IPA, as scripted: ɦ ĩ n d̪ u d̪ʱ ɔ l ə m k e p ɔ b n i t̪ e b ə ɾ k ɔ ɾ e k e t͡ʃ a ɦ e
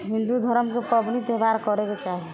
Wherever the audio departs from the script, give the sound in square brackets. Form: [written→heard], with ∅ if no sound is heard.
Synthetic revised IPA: ɦ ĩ n d̪ u d̪ʱ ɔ [l→ɾ] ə m k e p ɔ b n i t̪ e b [ə→a] ɾ k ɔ ɾ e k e t͡ʃ a ɦ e